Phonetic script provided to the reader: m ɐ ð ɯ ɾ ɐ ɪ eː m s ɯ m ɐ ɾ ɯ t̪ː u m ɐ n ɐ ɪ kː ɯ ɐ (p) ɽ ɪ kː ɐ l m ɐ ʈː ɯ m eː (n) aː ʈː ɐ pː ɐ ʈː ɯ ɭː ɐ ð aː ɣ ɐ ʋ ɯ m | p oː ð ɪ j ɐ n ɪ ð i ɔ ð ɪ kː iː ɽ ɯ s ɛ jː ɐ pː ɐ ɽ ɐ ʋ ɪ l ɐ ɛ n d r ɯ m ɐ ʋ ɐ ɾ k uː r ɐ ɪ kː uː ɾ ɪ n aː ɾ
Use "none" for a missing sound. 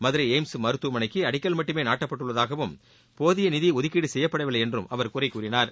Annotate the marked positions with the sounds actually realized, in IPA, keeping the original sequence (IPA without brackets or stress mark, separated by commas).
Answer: none, n